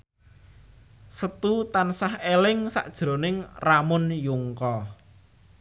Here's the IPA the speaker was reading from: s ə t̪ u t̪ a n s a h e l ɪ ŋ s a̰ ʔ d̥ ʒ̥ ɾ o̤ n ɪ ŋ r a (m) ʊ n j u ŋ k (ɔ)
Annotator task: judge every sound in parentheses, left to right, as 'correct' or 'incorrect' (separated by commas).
correct, correct